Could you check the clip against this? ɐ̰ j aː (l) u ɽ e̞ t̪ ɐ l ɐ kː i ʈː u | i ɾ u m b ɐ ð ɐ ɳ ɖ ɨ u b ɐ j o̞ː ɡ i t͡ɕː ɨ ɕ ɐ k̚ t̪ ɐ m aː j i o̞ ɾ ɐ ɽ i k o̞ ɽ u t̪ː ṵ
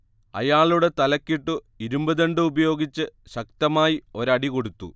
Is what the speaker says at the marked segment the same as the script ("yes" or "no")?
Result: no